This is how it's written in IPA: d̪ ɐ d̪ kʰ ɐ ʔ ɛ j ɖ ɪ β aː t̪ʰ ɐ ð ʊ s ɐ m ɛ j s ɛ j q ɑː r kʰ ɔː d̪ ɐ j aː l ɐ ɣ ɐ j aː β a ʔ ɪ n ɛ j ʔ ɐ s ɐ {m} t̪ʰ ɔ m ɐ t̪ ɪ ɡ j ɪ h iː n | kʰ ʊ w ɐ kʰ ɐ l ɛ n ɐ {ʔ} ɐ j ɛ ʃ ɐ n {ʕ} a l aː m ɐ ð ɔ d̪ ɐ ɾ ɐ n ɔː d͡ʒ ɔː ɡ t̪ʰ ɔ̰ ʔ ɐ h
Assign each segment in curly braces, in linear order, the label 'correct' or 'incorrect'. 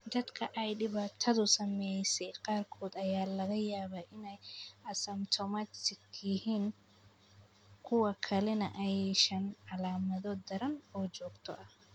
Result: correct, correct, correct

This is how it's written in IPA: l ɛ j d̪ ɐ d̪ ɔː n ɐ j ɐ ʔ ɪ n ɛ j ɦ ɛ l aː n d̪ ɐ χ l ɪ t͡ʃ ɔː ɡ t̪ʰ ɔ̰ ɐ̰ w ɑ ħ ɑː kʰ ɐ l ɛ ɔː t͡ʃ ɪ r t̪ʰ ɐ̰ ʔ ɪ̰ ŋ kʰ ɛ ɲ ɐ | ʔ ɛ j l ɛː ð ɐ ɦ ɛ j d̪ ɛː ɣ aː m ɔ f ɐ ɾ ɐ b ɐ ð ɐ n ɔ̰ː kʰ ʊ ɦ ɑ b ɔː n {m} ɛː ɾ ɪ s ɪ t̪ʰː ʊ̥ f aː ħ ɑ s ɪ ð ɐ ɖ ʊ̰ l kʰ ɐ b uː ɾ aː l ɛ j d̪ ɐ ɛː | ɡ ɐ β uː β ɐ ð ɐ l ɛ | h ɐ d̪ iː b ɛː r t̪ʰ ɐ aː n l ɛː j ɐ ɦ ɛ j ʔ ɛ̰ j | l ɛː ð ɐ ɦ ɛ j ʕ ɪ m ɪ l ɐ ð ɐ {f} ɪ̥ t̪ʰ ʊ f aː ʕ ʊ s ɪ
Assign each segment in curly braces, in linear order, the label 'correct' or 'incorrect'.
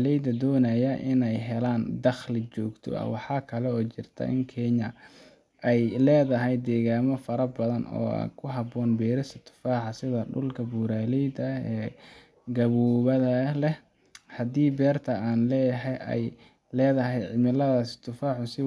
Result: incorrect: b, incorrect: s

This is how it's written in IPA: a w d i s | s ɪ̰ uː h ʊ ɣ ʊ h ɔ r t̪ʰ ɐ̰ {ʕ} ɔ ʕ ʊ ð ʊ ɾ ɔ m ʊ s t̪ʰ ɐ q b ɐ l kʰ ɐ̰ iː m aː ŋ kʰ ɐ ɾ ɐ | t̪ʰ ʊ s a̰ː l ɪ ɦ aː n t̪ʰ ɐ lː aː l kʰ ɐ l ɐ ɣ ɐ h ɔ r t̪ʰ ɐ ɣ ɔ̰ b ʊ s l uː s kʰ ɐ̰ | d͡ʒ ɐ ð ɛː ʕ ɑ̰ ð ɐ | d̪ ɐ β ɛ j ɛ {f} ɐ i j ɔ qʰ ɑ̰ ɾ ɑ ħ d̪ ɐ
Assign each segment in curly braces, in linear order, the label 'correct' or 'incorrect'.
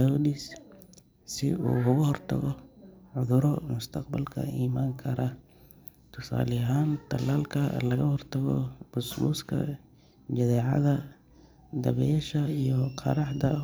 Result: incorrect: ɣ, incorrect: ʃ

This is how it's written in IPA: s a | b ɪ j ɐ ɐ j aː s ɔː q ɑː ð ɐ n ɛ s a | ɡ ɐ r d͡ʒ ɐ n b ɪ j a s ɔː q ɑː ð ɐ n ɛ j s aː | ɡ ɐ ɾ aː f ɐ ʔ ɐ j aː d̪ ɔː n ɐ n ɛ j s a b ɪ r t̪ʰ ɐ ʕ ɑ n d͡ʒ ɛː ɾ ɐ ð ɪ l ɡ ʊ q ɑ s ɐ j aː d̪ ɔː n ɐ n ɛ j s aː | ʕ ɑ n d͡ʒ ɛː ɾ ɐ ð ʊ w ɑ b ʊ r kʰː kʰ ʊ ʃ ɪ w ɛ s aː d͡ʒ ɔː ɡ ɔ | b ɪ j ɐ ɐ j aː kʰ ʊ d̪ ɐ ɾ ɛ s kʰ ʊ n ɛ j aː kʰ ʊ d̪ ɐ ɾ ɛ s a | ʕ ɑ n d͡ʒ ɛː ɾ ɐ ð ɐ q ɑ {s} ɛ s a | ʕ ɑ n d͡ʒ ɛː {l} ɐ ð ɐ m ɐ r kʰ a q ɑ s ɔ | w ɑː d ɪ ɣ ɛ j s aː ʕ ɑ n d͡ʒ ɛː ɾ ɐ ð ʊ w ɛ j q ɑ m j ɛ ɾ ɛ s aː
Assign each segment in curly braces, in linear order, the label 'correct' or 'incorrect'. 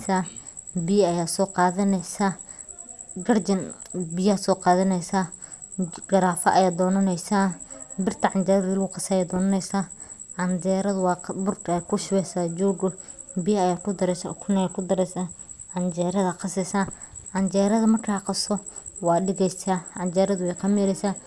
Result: correct, incorrect: ɾ

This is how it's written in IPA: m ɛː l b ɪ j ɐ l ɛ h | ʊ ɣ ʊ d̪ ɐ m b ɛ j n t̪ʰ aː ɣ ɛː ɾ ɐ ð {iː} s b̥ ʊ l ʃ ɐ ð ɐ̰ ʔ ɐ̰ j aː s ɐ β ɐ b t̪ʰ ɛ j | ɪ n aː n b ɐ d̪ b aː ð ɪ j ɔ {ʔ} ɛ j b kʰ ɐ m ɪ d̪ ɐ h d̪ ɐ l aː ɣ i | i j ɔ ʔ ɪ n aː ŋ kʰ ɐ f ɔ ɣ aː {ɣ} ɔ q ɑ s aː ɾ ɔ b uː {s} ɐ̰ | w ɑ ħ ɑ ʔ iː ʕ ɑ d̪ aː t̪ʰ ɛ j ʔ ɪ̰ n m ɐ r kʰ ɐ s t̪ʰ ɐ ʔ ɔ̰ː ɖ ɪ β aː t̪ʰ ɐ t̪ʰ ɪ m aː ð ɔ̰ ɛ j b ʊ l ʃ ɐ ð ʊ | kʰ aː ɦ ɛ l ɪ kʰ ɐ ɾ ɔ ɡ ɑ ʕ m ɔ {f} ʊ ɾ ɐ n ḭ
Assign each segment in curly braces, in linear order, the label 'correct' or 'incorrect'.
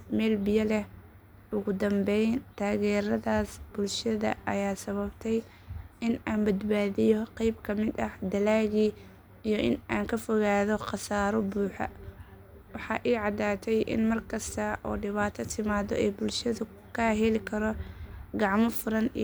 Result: incorrect: aː, incorrect: q, incorrect: ð, incorrect: ħ, correct

